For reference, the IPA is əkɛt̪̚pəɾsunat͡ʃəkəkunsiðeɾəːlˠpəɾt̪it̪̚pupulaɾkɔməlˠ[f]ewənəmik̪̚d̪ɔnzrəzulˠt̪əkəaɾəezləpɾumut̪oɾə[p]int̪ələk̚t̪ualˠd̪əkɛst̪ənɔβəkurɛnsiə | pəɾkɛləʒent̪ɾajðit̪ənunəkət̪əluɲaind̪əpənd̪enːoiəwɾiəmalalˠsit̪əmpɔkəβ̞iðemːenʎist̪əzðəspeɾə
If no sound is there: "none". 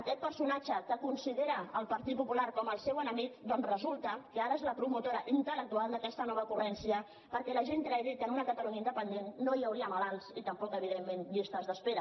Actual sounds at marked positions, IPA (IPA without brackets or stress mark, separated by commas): s, ʔ